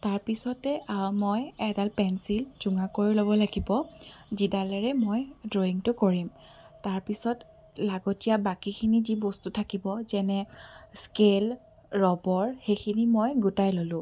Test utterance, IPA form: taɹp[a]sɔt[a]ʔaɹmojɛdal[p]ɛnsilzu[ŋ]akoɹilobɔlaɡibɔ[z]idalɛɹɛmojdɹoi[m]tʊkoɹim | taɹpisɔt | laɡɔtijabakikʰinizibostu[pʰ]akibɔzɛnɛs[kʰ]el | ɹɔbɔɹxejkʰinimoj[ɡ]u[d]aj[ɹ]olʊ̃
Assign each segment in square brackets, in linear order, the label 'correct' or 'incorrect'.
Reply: incorrect, incorrect, correct, correct, correct, incorrect, incorrect, incorrect, correct, incorrect, incorrect

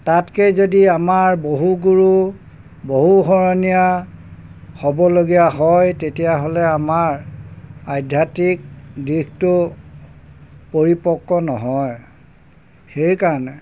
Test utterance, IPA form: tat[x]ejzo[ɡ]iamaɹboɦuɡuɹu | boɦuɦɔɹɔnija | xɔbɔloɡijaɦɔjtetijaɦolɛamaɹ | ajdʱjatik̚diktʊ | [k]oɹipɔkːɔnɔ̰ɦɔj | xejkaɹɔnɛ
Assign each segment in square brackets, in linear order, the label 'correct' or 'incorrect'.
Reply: incorrect, incorrect, incorrect

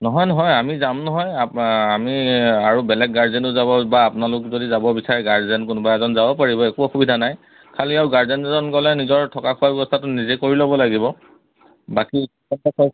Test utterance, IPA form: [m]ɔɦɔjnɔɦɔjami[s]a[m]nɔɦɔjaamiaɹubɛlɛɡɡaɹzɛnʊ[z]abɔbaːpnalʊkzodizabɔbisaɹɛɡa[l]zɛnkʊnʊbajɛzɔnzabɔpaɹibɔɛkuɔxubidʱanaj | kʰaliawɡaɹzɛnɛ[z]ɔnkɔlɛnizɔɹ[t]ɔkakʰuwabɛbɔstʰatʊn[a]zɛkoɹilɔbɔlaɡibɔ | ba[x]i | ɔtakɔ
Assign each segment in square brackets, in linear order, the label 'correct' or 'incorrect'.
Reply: incorrect, incorrect, correct, correct, incorrect, correct, incorrect, incorrect, incorrect

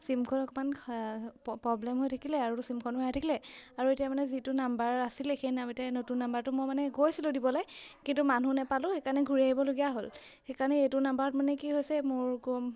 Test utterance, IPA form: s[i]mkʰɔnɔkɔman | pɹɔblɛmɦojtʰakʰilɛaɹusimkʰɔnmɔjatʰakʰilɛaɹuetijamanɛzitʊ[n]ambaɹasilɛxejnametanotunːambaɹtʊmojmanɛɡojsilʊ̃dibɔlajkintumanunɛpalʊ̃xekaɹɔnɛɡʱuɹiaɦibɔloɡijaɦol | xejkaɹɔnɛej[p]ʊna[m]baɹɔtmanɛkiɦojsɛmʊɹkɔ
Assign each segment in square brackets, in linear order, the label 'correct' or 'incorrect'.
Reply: correct, correct, incorrect, correct

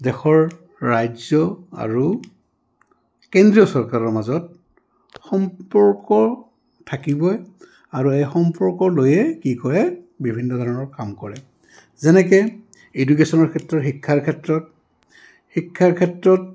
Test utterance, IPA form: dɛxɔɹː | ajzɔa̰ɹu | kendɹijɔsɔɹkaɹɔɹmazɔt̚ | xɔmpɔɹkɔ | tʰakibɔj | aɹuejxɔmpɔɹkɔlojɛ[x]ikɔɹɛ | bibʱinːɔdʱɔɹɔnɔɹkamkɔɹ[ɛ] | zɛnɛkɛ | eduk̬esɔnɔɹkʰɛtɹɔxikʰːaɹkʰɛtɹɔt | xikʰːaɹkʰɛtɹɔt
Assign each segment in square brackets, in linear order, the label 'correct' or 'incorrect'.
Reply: incorrect, correct

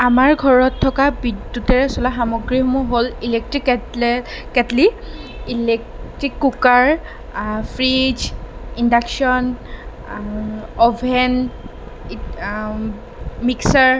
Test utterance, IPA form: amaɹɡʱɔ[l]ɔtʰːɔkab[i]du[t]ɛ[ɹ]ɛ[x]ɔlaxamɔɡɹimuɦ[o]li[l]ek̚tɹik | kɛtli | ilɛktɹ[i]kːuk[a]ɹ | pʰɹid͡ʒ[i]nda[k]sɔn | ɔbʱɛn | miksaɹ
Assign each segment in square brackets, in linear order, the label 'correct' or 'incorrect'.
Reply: incorrect, correct, correct, correct, incorrect, correct, correct, correct, correct, correct, correct

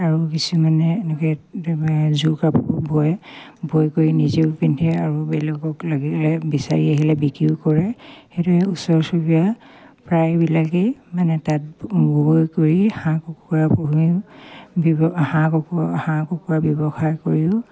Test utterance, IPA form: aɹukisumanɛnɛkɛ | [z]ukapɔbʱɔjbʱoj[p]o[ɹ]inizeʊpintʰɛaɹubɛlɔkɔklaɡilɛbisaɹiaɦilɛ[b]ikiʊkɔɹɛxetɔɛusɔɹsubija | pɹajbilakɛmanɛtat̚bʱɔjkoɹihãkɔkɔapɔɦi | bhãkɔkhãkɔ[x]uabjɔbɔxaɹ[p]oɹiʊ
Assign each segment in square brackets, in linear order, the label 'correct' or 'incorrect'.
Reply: correct, incorrect, correct, correct, incorrect, incorrect

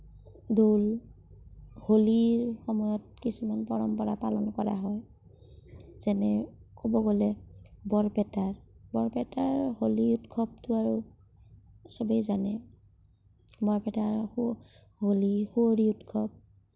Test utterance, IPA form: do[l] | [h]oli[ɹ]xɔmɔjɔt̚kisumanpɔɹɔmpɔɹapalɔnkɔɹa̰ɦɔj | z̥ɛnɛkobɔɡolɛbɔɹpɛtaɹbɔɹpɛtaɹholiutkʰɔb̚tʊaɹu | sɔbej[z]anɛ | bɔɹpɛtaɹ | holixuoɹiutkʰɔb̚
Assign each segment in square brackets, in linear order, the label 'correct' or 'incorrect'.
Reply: correct, correct, correct, correct

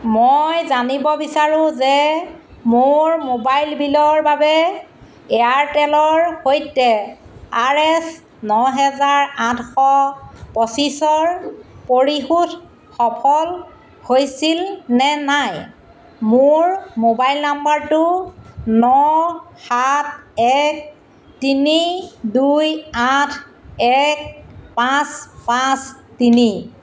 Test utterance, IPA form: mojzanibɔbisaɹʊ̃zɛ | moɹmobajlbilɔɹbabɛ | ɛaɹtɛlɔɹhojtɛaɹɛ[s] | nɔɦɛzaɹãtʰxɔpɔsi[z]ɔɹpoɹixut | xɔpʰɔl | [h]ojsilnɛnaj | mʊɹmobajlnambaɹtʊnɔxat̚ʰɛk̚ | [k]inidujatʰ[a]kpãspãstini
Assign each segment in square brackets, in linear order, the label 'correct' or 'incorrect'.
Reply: correct, incorrect, correct, incorrect, incorrect

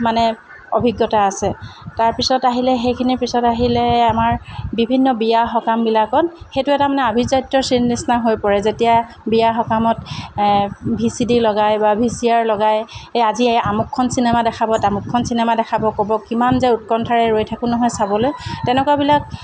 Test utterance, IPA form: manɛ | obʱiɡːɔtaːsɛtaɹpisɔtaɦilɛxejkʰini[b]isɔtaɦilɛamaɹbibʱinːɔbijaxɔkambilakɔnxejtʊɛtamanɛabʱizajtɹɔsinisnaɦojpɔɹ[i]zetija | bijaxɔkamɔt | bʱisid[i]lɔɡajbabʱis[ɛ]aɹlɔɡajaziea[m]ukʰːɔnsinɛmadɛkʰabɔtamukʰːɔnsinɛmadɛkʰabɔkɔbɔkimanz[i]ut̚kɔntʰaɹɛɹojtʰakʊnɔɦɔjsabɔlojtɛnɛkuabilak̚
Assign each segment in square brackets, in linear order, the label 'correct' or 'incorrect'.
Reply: incorrect, incorrect, correct, incorrect, correct, incorrect

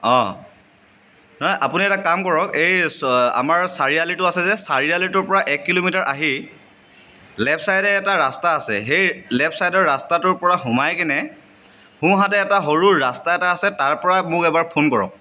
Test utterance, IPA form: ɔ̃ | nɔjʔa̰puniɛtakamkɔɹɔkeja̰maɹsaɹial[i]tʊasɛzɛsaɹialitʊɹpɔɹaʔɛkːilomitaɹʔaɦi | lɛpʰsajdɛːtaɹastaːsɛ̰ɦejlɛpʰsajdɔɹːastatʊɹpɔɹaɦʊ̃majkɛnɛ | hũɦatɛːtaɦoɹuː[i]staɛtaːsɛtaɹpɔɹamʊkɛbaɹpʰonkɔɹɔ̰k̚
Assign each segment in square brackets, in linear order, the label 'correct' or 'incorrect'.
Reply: correct, incorrect

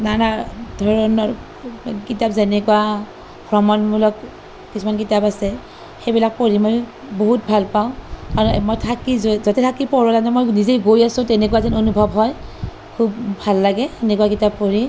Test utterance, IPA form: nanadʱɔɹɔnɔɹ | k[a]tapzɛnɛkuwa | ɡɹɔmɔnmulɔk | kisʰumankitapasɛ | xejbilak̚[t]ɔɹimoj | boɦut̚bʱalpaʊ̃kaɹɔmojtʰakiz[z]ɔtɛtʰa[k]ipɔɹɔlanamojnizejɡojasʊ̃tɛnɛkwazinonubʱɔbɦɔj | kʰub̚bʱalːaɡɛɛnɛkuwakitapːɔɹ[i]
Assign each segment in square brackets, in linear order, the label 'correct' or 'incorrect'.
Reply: incorrect, incorrect, correct, correct, correct

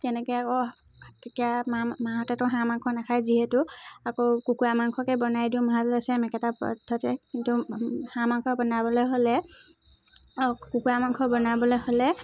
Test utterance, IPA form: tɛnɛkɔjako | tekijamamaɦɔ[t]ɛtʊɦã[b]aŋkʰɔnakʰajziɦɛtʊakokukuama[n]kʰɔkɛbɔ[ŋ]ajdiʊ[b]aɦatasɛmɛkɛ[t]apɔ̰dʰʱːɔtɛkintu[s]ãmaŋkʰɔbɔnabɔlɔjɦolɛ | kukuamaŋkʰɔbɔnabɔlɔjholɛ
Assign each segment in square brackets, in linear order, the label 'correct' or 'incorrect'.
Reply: correct, incorrect, incorrect, incorrect, incorrect, correct, incorrect

